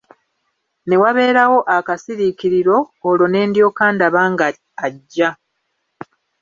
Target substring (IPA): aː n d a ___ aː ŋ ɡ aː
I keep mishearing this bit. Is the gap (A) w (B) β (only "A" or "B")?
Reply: B